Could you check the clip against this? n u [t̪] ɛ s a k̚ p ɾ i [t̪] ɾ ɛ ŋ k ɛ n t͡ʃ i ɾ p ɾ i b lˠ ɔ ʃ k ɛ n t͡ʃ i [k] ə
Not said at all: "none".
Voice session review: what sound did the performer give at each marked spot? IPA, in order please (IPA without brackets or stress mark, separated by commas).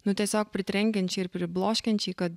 t̪, t̪, k